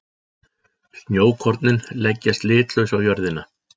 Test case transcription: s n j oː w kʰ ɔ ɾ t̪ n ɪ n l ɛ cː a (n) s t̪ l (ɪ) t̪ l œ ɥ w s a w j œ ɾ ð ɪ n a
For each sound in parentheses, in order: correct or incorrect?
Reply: incorrect, incorrect

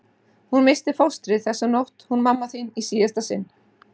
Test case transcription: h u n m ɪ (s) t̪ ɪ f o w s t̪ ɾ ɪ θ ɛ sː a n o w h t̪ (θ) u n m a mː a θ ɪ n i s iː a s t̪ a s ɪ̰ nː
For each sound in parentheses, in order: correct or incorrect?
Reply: correct, incorrect

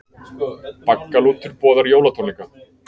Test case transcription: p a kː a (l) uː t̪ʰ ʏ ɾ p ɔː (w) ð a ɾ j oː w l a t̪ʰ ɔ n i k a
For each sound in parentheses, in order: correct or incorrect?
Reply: correct, incorrect

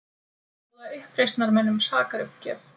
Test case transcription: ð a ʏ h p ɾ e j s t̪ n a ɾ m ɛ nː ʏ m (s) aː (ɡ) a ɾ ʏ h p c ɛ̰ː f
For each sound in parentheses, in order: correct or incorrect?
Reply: correct, incorrect

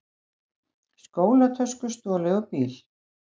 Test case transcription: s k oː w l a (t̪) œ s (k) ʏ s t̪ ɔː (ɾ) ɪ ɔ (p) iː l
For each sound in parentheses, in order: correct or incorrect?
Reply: incorrect, correct, incorrect, correct

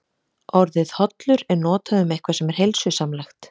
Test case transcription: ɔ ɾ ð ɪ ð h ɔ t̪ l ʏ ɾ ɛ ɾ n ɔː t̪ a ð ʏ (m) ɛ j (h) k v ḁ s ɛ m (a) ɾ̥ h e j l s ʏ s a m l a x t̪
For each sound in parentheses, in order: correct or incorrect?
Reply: correct, correct, incorrect

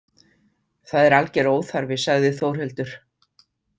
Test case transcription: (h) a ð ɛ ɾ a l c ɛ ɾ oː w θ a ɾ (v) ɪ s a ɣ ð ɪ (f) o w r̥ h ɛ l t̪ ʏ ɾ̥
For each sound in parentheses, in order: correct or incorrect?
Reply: incorrect, correct, incorrect

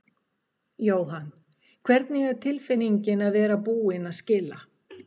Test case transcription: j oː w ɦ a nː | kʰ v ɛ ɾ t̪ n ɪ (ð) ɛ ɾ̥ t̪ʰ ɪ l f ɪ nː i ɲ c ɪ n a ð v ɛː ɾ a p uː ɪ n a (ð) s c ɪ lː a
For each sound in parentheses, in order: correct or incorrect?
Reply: incorrect, correct

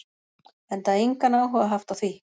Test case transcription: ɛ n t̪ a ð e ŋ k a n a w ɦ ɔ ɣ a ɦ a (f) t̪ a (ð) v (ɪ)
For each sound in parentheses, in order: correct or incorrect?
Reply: correct, incorrect, incorrect

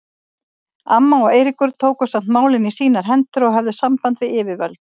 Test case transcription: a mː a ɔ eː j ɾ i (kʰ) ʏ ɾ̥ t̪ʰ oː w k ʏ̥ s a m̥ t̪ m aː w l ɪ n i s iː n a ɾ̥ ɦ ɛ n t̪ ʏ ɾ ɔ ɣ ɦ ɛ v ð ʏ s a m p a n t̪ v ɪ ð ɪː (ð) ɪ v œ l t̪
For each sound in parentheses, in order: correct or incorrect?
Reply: incorrect, incorrect

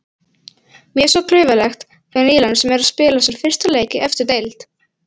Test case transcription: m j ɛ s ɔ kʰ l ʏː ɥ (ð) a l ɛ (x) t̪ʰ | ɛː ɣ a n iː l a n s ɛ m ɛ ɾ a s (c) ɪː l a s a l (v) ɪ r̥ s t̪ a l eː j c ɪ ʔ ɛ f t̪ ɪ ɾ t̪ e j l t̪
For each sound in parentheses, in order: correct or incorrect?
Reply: incorrect, correct, incorrect, incorrect

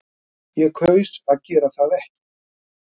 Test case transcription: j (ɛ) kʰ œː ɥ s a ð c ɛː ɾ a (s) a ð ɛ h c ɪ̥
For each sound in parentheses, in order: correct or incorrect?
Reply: correct, incorrect

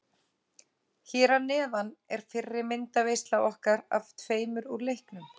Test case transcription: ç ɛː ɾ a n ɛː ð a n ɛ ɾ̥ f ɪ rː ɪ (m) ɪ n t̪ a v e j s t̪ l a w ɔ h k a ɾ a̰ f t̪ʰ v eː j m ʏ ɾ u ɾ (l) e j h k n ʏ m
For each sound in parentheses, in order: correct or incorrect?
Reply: correct, correct

